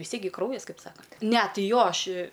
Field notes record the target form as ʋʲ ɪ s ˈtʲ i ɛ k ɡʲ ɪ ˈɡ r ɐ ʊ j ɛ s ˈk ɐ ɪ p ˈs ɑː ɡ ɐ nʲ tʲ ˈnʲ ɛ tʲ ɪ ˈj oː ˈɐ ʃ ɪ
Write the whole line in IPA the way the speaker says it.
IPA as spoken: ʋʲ ɪ s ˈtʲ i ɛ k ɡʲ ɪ ˈk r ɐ ʊ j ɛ s ˈk ɐ ɪ p ˈs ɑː k ɐ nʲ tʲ ˈnʲ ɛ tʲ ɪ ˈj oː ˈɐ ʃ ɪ